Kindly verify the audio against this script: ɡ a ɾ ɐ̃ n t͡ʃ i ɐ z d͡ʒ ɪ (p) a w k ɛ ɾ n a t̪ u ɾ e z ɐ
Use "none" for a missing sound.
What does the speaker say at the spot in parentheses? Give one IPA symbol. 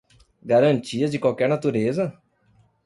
k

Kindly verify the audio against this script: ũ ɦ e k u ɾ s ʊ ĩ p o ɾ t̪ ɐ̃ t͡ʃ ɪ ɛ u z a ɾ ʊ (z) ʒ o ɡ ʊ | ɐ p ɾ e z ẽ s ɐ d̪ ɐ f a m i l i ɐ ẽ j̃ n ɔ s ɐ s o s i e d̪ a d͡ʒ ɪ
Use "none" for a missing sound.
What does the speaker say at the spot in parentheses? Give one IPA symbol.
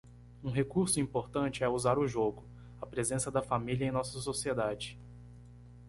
none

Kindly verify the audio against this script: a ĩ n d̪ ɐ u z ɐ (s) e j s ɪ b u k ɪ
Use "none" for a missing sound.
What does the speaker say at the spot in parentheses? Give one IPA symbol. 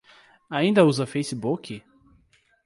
f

